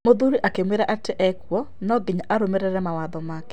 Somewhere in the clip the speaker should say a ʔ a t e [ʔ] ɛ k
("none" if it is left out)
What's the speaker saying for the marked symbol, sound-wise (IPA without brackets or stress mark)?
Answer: ʔ